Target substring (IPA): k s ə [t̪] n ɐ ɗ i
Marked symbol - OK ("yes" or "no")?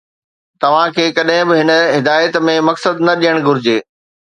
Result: no